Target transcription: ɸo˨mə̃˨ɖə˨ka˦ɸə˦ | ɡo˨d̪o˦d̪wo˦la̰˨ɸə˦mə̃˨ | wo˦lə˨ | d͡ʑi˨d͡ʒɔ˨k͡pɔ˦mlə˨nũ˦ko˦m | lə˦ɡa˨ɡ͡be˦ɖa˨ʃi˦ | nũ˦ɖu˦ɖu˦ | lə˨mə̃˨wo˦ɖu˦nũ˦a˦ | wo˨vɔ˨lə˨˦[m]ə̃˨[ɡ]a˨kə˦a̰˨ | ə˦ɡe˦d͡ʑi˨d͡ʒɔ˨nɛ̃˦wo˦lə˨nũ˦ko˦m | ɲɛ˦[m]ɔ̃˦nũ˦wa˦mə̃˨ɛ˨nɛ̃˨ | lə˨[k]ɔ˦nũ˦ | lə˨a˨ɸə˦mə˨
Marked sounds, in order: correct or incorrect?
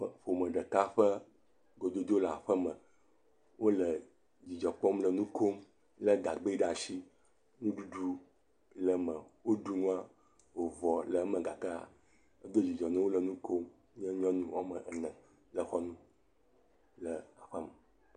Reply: correct, correct, incorrect, incorrect

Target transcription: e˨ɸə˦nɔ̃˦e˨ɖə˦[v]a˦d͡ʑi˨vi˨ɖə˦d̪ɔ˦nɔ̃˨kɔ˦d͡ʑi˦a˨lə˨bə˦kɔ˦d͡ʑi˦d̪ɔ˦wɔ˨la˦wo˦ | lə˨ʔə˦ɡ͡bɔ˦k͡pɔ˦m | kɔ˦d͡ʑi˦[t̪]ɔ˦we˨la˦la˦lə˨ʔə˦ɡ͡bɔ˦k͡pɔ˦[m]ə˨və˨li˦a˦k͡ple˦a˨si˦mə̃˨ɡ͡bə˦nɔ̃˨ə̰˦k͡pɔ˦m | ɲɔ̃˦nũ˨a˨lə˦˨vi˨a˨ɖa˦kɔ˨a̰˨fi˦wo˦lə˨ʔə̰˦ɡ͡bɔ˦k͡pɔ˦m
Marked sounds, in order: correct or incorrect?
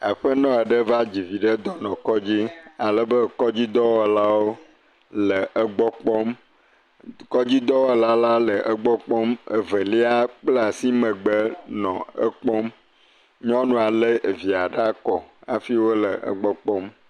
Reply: correct, incorrect, correct

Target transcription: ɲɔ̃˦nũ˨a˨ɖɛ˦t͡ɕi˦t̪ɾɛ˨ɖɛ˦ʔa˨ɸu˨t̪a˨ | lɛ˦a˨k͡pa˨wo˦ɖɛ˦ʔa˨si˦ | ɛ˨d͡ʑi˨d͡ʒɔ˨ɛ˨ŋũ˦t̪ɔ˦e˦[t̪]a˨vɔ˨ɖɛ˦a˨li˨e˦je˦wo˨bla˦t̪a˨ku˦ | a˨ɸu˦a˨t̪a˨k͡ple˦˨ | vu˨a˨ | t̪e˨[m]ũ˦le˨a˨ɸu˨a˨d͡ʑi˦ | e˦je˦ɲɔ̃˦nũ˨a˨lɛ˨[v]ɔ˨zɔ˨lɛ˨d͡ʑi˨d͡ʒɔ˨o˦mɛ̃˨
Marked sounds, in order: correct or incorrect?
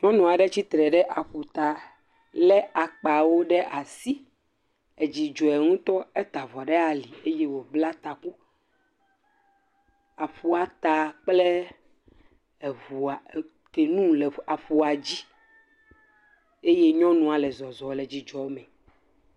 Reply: correct, incorrect, incorrect

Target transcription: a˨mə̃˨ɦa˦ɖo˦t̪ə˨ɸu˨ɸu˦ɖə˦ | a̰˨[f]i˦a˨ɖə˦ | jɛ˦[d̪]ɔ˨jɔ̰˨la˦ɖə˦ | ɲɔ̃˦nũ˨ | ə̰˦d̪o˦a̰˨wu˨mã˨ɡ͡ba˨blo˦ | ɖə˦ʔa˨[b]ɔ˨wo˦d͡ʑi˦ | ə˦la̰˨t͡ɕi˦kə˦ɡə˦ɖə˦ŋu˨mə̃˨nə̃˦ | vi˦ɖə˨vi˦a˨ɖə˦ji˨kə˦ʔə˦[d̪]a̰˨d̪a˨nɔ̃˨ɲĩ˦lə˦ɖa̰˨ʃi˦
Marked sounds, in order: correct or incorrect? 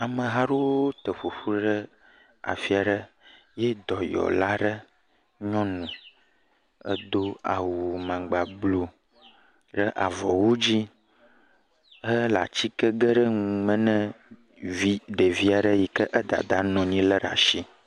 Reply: correct, correct, incorrect, correct

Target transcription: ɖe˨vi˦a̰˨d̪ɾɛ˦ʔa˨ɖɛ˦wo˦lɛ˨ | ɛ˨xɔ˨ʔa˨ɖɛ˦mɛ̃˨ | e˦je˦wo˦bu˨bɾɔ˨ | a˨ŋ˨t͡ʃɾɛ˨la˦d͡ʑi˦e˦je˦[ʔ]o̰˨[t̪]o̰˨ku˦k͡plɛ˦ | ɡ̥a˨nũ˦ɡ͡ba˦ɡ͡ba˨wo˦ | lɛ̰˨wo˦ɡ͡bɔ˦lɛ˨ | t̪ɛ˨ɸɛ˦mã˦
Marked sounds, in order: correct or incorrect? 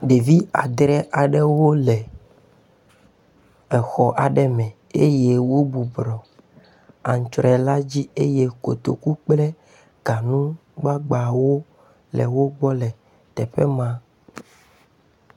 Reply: incorrect, correct

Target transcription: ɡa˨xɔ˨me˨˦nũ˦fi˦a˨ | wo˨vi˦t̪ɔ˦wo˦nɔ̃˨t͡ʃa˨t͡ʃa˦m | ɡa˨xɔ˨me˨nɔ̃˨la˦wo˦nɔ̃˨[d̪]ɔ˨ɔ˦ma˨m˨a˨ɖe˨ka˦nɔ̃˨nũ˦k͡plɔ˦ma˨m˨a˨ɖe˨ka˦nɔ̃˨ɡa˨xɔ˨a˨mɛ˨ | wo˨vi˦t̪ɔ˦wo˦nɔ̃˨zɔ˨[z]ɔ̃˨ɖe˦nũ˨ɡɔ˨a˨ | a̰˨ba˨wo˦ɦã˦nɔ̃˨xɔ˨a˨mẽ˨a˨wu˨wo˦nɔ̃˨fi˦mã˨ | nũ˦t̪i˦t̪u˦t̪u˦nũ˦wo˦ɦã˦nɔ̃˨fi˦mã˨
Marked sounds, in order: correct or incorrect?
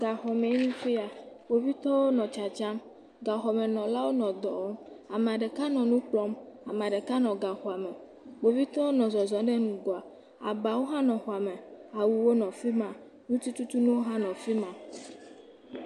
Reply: correct, correct

